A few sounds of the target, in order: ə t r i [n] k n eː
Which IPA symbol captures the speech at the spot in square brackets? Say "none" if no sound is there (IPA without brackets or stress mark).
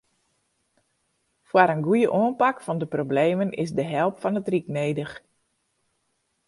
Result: none